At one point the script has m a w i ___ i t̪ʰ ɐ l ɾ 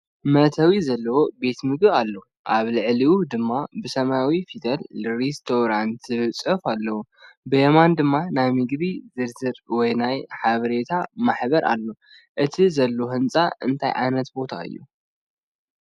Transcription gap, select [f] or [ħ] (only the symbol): f